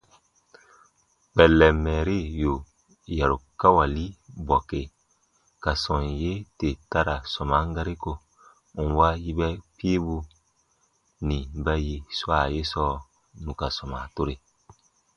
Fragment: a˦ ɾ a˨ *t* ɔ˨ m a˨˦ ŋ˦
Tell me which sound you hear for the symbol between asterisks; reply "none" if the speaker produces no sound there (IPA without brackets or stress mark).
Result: s